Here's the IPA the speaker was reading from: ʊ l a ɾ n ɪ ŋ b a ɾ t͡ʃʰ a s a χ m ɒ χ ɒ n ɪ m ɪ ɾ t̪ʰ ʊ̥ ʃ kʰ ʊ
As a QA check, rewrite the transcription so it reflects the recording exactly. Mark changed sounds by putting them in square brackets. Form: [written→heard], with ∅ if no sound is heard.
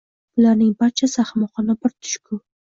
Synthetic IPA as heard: ʊ l a ɾ n ɪ ŋ b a ɾ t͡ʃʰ a s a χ m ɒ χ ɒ n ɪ [m→b] ɪ ɾ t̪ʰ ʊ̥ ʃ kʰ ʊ

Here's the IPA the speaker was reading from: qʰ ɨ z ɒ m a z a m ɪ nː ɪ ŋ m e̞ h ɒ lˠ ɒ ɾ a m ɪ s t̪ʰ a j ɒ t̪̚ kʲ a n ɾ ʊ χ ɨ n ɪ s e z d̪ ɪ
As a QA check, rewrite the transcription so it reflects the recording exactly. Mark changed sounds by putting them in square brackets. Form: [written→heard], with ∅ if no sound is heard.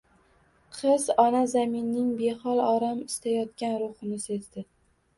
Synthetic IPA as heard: qʰ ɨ z ɒ [m→n] a z a m ɪ nː ɪ ŋ [m→b] e̞ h ɒ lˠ ɒ ɾ a m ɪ s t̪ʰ a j ɒ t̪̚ kʲ a n ɾ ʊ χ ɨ n ɪ s e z d̪ ɪ

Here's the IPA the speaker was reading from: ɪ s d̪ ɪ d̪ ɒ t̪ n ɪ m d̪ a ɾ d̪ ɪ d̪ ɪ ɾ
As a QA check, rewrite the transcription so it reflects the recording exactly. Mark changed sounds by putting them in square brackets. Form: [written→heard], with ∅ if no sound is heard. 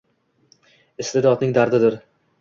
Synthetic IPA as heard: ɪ s [d̪→t̪] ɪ d̪ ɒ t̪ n ɪ [m→ŋ] d̪ a ɾ d̪ ɪ d̪ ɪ ɾ

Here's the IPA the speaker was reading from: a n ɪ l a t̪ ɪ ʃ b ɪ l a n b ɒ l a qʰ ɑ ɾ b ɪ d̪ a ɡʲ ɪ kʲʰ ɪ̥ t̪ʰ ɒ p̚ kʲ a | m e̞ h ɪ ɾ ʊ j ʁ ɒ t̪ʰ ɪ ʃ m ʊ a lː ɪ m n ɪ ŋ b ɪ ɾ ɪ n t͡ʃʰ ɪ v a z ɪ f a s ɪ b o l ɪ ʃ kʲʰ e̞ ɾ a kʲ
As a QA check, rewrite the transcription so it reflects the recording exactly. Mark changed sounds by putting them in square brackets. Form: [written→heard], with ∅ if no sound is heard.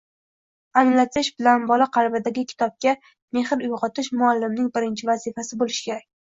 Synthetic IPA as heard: a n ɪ l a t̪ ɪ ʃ b ɪ l a n b ɒ l a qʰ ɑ ɾ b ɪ d̪ a ɡʲ ɪ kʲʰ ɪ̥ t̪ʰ ɒ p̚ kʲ a | m e̞ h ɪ ɾ ʊ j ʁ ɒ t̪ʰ ɪ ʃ m ʊ a lː ɪ m n ɪ ŋ b ɪ ɾ ɪ n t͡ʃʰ ɪ v a z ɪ f a s ɪ b o l ɪ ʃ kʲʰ e̞ ɾ a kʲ

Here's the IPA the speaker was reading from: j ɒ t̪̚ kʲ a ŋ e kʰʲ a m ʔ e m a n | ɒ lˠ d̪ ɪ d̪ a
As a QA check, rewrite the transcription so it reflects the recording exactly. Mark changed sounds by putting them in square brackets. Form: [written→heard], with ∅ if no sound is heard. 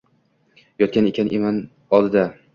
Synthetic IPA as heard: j ɒ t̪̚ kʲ a [ŋ→n] e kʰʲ a [m→n] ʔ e m a n | ɒ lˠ d̪ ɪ d̪ a

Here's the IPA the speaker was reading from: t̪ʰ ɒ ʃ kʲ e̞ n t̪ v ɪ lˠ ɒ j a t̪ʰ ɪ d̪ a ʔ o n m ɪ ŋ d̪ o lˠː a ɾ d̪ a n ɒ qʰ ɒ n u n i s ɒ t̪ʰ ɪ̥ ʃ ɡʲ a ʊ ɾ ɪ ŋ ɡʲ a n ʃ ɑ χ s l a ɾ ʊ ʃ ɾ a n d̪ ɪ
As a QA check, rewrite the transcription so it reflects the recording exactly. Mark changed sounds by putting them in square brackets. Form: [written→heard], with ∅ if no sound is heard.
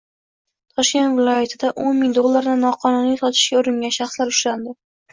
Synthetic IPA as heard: t̪ʰ ɒ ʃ kʲ e̞ n t̪ v ɪ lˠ ɒ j a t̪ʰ ɪ d̪ a ʔ o n m ɪ ŋ d̪ o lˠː a ɾ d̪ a n ɒ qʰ ɒ n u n i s ɒ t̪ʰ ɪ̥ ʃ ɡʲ a ʊ ɾ ɪ ŋ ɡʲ a n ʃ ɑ χ s l a ɾ ʊ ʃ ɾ a n d̪ ɪ

